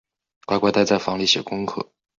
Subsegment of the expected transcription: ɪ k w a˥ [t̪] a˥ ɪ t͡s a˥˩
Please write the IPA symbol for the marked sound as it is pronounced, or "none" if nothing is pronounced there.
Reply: t̪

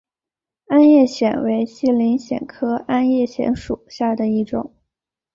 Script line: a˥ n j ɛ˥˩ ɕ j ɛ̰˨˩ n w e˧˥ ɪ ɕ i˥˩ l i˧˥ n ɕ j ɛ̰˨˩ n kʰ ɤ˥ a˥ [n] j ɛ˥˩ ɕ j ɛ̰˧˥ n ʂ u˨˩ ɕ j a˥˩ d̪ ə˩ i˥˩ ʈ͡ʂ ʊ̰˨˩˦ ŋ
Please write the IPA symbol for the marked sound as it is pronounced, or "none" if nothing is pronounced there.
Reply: n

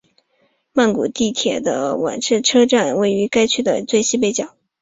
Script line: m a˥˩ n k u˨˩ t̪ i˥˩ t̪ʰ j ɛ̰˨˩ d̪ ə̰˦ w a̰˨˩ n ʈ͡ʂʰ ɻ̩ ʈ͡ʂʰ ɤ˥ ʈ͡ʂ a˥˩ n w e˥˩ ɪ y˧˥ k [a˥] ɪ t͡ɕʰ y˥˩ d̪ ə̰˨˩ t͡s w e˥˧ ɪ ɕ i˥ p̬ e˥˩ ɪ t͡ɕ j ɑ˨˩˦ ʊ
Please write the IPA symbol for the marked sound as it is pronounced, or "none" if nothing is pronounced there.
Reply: a˥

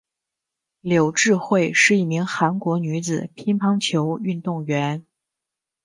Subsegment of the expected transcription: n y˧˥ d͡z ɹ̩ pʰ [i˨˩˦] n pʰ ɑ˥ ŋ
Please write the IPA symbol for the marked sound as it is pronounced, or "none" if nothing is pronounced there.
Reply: i˥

